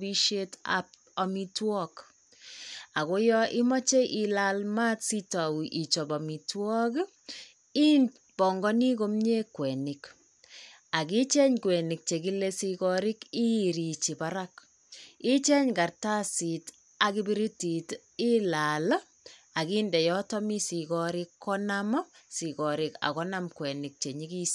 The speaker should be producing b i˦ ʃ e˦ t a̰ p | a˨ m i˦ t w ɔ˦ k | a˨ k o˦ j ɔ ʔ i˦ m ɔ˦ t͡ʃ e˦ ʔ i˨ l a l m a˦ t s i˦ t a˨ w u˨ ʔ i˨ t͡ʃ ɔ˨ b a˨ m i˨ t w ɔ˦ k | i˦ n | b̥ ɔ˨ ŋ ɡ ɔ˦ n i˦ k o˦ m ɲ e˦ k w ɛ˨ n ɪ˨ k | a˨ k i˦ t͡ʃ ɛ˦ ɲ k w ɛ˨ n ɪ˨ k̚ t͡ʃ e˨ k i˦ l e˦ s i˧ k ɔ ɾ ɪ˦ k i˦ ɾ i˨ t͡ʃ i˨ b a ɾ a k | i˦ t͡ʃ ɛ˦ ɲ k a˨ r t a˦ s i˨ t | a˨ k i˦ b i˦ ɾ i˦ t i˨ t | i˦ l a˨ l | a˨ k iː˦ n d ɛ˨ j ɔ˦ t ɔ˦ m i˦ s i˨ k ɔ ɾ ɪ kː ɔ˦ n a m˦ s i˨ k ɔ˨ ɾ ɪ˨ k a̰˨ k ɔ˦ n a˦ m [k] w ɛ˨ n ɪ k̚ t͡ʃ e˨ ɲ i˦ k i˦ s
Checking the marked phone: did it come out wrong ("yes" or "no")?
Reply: no